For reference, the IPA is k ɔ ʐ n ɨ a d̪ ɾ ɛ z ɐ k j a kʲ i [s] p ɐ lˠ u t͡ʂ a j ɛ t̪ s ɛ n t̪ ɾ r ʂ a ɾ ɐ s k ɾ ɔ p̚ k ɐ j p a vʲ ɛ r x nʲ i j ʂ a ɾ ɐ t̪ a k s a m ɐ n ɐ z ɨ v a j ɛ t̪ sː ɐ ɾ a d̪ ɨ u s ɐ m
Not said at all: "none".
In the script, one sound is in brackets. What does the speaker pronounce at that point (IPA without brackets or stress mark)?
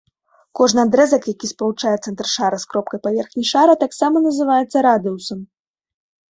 s